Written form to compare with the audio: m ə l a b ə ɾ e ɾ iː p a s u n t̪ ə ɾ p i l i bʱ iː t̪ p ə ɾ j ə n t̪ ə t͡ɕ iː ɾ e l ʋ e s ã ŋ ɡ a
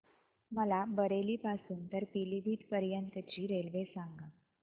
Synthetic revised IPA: m ə l a b ə ɾ e l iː p a s uː n t̪ ə ɾ p i l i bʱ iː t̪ p ə ɾ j ə n t̪ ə t͡ɕ iː ɾ e l ʋ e s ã ŋ ɡ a